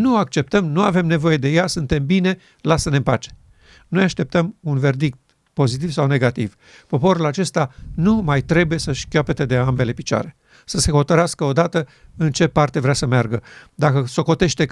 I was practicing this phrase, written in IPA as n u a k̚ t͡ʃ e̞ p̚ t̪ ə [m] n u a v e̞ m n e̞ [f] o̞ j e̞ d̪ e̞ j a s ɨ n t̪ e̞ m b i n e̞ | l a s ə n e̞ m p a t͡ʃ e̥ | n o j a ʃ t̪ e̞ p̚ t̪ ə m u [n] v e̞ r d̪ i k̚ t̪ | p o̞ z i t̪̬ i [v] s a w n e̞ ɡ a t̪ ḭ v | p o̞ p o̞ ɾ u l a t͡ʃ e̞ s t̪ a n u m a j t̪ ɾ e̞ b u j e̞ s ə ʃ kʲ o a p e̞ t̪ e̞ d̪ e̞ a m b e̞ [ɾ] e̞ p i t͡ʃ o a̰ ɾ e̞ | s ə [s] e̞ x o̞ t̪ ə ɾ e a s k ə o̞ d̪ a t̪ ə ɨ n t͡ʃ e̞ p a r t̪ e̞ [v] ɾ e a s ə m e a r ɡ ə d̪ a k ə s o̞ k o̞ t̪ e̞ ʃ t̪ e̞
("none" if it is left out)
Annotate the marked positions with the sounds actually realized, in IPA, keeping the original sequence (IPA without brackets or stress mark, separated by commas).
m, v, n, v, l, s, v